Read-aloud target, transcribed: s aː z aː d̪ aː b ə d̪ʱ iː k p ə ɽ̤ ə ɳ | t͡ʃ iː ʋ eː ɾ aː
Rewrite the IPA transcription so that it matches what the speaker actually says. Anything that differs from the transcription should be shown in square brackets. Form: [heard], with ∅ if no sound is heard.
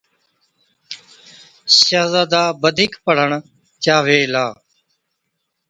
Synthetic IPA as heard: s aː z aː d̪ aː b ə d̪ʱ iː k p ə ɽ̤ ə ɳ | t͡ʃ [aː] ʋ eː [l] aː